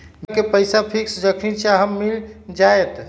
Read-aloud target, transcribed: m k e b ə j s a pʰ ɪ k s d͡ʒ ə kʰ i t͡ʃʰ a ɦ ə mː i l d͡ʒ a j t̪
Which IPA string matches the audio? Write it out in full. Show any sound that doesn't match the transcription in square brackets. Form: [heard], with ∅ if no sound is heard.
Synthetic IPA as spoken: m k e [p] ə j s a pʰ [i] k s d͡ʒ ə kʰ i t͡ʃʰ a ɦ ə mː i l d͡ʒ a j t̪

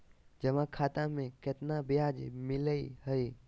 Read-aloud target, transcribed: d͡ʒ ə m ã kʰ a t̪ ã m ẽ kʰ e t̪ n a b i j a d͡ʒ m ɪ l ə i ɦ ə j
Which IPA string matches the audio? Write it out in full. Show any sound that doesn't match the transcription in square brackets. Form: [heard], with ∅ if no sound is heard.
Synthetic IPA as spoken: d͡ʒ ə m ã kʰ a t̪ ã m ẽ [k] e t̪ n a b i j a d͡ʒ m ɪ l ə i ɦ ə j

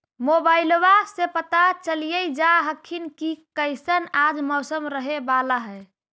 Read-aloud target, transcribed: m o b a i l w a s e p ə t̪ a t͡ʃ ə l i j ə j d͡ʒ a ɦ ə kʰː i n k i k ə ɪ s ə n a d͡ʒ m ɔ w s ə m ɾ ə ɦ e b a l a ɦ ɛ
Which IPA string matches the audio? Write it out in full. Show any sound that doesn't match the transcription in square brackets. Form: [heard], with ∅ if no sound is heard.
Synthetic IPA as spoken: m o b a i l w a s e p ə t̪ a t͡ʃ ə l i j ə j d͡ʒ a ɦ ə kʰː i n k i k ə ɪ s ə n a d͡ʒ m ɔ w s ə m ɾ ə ɦ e b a l a ɦ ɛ

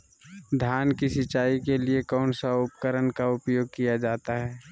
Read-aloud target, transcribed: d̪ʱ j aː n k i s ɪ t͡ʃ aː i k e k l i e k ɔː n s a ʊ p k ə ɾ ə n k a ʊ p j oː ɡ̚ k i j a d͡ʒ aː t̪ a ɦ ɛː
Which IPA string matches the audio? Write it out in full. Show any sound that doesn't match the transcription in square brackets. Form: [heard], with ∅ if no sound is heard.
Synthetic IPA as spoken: d̪ʱ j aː n k i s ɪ t͡ʃ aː i k e [∅] l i e k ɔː n s a ʊ p k ə ɾ ə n k a ʊ p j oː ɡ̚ k i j a d͡ʒ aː t̪ a ɦ ɛː

